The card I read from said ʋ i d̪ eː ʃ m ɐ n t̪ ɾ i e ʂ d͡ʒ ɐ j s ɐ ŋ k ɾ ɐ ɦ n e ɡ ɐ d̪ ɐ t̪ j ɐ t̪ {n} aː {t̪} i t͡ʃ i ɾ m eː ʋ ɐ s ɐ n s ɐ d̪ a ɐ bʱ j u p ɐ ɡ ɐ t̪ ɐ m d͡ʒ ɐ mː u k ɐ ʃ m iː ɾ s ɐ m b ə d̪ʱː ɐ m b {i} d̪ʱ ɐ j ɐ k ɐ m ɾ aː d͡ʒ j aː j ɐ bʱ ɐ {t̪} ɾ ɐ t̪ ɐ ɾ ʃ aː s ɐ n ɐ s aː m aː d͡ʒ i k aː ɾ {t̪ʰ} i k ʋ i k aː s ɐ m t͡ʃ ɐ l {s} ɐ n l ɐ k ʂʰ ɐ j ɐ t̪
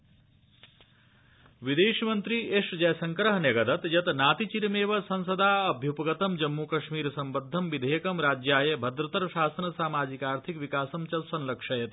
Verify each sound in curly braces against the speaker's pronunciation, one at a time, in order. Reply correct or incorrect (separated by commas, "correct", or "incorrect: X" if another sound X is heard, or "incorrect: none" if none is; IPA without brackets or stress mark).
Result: correct, correct, correct, incorrect: d̪, correct, correct